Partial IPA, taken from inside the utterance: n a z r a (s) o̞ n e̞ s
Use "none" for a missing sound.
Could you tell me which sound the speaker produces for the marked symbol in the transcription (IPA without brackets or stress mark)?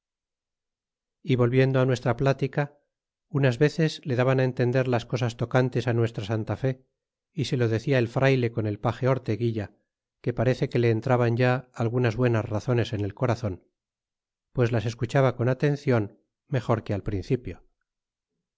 θ